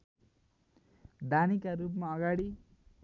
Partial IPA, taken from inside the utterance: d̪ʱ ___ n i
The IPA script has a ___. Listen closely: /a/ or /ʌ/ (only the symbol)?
a